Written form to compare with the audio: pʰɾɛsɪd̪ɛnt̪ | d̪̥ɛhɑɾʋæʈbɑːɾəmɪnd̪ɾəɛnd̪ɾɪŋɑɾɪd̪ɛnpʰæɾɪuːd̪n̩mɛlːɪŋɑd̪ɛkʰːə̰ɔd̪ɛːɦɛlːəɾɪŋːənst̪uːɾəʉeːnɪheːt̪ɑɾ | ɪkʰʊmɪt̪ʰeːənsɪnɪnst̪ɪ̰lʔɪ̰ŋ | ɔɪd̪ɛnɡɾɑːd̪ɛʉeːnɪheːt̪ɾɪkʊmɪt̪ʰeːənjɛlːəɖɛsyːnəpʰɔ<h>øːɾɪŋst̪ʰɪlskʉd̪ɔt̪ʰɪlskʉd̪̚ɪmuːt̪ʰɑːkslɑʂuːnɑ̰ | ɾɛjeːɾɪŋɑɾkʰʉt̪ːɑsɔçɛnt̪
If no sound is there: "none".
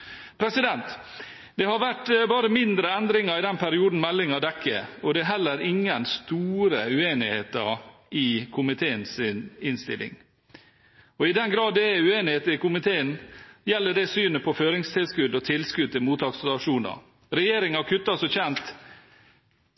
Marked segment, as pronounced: f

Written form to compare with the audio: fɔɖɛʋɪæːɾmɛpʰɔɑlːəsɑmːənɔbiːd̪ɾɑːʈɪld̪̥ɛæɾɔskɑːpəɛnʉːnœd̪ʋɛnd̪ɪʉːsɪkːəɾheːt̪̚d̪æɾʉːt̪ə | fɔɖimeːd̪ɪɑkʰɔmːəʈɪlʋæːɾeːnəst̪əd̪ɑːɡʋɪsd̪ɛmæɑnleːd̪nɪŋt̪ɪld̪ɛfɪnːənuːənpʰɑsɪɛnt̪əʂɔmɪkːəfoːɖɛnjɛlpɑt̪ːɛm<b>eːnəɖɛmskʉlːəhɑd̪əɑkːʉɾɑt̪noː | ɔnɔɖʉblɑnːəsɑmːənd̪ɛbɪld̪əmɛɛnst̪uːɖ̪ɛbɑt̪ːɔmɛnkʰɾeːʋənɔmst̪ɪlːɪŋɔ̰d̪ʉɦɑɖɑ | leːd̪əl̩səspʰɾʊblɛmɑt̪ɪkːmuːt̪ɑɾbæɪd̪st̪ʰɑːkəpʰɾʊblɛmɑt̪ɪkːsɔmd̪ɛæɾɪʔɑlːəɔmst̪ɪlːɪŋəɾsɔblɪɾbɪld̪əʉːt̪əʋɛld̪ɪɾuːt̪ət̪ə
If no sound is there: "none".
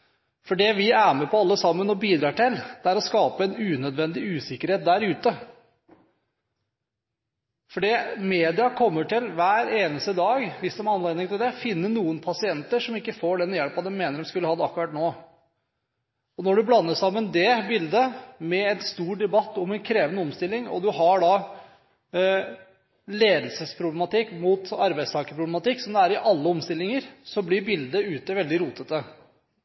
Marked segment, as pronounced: m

